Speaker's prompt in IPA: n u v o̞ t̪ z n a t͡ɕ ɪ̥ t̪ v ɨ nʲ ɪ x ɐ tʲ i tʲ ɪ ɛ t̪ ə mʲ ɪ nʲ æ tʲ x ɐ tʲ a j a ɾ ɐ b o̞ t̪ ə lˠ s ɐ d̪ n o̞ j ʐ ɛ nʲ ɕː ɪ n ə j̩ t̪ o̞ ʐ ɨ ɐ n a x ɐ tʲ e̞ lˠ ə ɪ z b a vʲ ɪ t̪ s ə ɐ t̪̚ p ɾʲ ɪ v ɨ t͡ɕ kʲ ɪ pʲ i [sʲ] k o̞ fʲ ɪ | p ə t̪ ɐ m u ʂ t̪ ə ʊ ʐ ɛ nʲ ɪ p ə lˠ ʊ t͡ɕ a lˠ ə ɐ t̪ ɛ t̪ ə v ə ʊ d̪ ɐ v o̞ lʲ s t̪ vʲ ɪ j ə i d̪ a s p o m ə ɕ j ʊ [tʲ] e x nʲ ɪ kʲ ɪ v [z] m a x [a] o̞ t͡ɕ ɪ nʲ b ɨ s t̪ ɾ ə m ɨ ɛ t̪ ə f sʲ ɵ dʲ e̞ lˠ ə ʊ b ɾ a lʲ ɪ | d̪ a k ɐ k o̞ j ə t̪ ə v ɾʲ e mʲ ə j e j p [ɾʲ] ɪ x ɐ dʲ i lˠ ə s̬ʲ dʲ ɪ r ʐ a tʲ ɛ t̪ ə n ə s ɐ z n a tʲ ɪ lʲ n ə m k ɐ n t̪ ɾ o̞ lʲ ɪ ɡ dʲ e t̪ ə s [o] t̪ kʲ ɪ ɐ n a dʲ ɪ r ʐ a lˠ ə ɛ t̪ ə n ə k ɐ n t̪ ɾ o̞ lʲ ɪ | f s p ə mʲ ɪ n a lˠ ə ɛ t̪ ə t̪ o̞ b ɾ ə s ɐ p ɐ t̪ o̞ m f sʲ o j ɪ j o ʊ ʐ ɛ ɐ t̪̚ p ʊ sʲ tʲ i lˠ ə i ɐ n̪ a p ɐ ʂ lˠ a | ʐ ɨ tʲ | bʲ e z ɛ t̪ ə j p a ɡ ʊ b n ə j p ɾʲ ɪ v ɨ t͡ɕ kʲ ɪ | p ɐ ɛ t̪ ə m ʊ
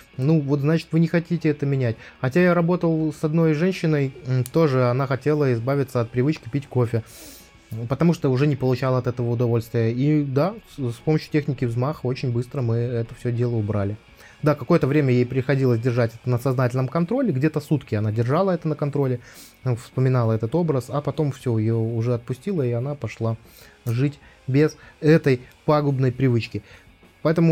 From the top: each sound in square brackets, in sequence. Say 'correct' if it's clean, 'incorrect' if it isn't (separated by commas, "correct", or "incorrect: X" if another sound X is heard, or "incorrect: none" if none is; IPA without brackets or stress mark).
incorrect: tʲ, correct, correct, incorrect: ə, correct, incorrect: u